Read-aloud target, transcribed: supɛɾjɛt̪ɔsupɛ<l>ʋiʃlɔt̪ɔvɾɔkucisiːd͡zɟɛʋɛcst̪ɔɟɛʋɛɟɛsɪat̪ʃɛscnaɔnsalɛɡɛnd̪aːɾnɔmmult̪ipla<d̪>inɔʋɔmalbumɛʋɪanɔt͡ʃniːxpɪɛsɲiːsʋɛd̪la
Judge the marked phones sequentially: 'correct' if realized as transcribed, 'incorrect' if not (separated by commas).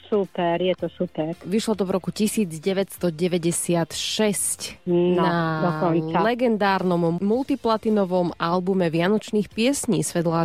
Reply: incorrect, incorrect